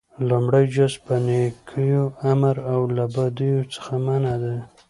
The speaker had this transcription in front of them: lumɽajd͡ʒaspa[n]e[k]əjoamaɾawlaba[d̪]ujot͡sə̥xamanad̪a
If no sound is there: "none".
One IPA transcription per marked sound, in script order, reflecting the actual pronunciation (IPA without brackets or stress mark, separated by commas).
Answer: n, kʰ, d̪